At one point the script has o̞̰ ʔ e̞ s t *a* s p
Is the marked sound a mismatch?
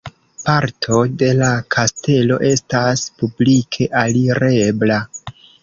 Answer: no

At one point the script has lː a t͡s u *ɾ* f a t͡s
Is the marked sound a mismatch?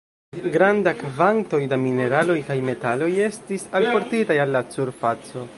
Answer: no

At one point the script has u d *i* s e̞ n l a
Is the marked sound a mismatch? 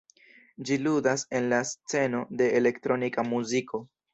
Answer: yes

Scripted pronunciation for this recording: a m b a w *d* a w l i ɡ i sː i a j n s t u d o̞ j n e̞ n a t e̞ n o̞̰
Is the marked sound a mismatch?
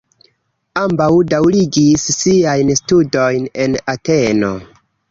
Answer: no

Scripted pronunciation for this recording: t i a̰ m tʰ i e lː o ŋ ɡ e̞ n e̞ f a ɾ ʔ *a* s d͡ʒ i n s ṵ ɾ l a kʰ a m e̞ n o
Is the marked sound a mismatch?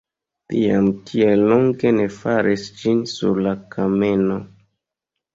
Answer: yes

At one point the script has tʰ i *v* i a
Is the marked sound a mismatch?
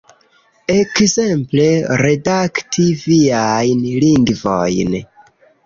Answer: no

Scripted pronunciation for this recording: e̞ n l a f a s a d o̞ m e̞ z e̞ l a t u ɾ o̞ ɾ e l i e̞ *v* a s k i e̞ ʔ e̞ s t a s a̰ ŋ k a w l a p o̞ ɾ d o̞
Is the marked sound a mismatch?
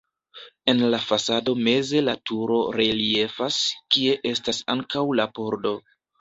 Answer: yes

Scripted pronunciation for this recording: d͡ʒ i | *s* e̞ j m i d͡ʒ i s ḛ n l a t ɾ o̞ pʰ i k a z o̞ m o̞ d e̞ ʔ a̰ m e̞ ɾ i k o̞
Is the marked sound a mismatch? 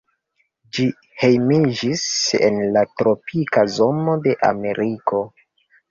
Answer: yes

